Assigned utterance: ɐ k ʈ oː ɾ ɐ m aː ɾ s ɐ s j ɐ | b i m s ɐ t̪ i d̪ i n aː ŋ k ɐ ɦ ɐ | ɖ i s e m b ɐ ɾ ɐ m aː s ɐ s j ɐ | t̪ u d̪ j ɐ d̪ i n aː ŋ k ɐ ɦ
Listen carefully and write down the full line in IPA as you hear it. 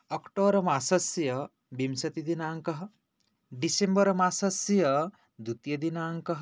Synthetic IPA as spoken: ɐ k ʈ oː ɾ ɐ m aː s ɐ s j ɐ | b i m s ɐ t̪ i d̪ i n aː ŋ k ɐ ɦ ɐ | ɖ i s e m b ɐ ɾ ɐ m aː s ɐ s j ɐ | d̪ u t̪ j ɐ d̪ i n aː ŋ k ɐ ɦ